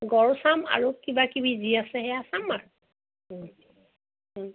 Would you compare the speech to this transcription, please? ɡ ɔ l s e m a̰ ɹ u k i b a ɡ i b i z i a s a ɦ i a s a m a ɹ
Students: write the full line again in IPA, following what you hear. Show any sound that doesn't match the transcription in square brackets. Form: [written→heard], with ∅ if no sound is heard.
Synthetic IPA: ɡ ɔ [l→ɹ] s [e→a] m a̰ ɹ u k i b a [ɡ→k] i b i z i a s [a→ɛ] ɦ [i→ɛ] a s a m a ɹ